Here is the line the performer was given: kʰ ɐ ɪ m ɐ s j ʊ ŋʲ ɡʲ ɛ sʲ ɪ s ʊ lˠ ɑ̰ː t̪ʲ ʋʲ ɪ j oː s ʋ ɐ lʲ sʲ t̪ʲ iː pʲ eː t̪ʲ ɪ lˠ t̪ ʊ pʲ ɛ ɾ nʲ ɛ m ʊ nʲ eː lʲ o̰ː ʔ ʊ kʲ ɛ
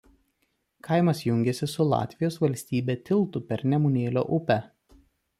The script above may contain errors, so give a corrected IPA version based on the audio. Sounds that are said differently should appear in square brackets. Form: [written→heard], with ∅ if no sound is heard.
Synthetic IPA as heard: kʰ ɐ ɪ m ɐ s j ʊ ŋʲ ɡʲ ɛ sʲ ɪ s ʊ lˠ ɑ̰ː t̪ʲ ʋʲ ɪ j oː s ʋ ɐ lʲ sʲ t̪ʲ iː [pʲ→bʲ] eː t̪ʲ ɪ lˠ t̪ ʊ pʲ ɛ ɾ nʲ ɛ m ʊ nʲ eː lʲ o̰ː ʔ ʊ [kʲ→pʲ] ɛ